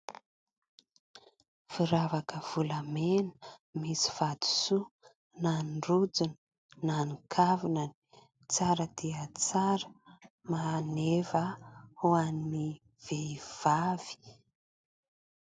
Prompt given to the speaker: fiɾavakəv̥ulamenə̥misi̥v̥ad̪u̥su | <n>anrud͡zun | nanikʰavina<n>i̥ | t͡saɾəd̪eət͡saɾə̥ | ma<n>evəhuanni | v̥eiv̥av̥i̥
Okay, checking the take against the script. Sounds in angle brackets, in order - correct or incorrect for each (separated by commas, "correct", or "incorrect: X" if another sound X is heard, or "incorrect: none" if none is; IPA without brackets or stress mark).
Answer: correct, correct, correct